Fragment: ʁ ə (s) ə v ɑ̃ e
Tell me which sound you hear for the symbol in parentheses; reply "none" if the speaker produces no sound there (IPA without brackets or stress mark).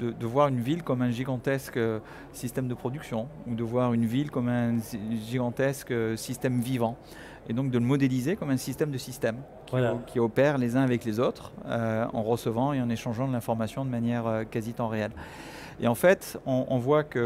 s